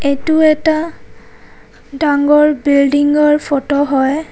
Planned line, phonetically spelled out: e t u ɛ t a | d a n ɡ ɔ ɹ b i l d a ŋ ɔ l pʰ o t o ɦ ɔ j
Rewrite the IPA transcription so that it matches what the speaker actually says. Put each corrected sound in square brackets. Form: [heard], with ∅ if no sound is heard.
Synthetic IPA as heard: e t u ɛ t a | d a [ŋ] ɡ ɔ ɹ b i l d [i] ŋ ɔ [ɹ] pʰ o t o ɦ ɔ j